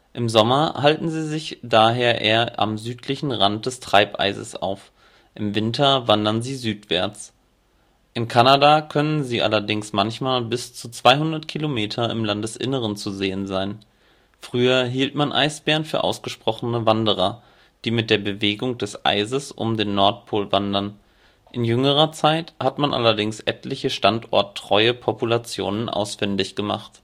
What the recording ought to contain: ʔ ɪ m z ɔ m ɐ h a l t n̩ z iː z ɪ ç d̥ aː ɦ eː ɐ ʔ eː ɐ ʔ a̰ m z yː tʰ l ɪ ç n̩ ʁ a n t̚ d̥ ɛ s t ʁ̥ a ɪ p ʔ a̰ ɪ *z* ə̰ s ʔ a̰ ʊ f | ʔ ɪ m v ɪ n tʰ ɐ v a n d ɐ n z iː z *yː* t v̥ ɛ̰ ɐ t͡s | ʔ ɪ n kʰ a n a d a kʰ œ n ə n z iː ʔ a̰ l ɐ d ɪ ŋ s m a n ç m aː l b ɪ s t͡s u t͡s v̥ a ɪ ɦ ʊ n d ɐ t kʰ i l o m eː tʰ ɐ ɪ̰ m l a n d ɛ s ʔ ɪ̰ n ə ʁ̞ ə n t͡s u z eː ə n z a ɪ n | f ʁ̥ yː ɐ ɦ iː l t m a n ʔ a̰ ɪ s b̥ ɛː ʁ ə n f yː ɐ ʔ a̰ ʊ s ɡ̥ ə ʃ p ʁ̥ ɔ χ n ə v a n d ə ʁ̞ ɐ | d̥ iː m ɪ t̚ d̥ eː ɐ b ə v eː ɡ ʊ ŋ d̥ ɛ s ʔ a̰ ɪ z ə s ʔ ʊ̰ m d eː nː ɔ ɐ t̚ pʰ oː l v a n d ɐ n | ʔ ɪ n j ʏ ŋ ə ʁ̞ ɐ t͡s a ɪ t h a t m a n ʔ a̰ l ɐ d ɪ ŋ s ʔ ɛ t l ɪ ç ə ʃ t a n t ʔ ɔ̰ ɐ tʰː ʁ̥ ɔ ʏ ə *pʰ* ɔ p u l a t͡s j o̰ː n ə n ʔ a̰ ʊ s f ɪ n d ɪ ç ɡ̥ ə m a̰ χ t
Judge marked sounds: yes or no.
yes, yes, yes

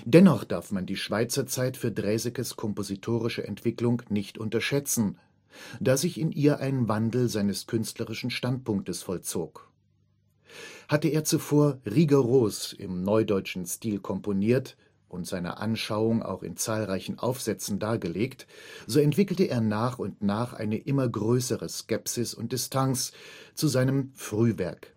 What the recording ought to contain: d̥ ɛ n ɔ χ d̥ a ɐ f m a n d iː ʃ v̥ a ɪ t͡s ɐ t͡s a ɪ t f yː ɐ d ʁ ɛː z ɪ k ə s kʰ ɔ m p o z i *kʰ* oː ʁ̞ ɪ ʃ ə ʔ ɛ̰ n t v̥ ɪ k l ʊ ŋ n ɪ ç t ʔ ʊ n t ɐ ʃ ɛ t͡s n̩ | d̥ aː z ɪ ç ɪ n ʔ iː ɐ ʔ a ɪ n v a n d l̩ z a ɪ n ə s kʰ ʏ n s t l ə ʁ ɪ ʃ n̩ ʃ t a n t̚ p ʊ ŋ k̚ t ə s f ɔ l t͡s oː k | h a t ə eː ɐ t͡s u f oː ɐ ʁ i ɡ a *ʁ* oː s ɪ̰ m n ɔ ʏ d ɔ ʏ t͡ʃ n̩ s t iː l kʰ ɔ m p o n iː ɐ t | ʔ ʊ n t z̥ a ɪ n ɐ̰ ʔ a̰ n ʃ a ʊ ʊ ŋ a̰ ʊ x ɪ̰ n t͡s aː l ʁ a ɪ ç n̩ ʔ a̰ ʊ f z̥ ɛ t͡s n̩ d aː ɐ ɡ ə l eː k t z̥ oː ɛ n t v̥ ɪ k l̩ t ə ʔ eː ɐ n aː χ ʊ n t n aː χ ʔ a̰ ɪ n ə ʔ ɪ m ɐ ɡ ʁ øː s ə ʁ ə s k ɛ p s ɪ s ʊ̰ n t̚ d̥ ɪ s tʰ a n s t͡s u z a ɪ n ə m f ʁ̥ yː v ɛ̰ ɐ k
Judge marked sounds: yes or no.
no, yes

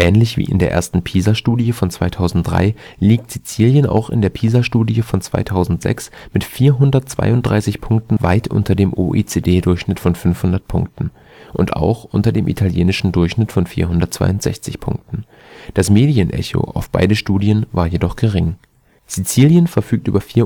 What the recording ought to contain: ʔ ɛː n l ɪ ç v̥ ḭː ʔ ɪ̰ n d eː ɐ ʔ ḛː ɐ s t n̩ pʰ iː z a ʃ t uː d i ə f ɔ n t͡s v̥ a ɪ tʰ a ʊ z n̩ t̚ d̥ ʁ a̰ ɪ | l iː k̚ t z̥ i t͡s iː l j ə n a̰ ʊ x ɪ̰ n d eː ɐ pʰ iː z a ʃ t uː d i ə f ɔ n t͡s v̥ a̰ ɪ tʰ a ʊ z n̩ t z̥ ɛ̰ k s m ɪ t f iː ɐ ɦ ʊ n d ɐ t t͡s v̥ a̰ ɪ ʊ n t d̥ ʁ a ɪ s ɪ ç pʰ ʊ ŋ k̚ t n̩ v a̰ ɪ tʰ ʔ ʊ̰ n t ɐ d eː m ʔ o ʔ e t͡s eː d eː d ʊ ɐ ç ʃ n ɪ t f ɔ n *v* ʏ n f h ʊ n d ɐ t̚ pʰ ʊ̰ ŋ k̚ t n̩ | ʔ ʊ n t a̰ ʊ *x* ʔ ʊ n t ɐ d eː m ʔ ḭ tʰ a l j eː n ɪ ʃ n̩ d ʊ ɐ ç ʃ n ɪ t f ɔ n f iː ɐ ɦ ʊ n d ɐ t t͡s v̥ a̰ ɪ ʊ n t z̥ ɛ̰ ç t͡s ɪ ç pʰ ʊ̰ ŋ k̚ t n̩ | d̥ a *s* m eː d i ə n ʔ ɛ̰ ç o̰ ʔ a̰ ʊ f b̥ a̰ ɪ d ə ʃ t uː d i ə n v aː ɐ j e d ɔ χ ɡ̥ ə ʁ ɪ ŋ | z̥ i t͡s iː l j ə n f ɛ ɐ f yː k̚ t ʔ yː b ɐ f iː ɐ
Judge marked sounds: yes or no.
no, yes, yes

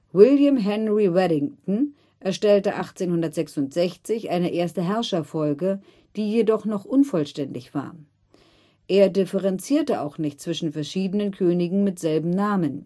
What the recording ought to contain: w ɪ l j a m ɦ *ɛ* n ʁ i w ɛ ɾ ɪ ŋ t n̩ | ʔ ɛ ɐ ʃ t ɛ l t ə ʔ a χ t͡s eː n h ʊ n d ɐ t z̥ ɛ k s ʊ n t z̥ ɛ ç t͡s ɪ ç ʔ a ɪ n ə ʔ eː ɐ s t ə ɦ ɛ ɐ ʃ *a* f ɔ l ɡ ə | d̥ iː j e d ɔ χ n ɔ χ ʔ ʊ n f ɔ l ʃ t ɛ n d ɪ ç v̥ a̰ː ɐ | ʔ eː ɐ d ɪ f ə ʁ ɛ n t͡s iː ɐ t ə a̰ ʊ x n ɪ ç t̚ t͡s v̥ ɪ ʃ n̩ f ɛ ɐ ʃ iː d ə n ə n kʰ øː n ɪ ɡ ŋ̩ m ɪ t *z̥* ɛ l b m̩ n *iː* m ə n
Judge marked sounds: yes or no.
yes, no, yes, no

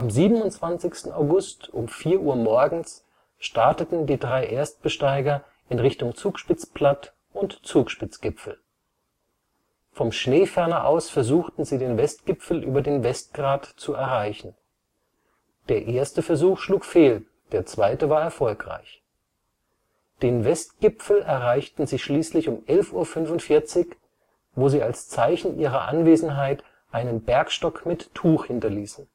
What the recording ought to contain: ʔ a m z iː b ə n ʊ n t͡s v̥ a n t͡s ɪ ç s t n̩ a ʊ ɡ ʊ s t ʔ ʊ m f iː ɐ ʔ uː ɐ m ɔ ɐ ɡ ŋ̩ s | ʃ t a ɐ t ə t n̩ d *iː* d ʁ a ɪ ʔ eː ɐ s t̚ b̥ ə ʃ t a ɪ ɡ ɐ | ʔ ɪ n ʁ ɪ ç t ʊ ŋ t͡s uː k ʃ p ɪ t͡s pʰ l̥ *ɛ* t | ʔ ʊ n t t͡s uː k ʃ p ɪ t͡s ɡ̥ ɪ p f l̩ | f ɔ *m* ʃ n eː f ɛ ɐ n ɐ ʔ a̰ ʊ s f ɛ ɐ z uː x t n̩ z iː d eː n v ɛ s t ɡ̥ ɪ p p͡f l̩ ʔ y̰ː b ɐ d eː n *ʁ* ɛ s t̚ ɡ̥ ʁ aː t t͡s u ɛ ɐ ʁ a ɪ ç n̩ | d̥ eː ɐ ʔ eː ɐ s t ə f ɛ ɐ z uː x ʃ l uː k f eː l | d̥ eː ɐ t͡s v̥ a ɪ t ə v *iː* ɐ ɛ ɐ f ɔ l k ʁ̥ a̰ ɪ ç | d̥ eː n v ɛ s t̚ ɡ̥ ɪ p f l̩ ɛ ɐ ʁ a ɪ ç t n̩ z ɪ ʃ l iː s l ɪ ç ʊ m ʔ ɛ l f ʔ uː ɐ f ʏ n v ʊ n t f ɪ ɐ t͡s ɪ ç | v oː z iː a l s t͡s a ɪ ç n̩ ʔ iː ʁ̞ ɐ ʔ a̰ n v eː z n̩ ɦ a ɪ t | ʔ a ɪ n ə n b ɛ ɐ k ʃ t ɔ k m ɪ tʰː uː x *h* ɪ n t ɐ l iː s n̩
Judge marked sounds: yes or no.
yes, no, yes, no, no, yes

